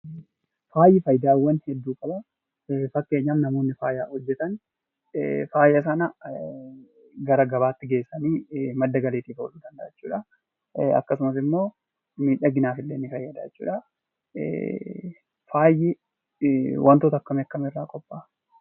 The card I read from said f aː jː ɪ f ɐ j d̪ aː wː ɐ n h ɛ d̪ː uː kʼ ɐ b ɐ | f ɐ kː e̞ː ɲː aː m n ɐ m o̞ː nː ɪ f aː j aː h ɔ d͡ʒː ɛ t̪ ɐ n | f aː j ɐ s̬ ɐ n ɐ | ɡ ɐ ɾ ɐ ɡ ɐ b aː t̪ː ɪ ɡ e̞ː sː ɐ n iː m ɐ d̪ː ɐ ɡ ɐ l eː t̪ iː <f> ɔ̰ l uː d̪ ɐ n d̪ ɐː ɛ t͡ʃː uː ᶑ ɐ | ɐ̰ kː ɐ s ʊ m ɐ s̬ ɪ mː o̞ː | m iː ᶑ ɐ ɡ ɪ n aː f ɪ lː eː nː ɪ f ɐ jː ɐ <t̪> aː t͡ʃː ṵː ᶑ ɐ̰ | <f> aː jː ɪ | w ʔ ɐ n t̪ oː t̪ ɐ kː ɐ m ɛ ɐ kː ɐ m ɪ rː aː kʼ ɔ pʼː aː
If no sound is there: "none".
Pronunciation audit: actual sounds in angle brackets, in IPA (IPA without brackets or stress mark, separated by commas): f, d̪, f